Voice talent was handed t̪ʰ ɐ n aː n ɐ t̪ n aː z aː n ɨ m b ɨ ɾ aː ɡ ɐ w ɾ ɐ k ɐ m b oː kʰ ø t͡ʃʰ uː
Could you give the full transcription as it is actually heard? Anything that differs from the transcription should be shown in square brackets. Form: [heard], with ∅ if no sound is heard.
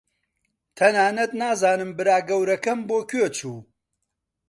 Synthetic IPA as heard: t̪ʰ ɐ n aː n ɐ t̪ n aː z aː n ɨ m b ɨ ɾ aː ɡ ɐ w ɾ ɐ k ɐ m b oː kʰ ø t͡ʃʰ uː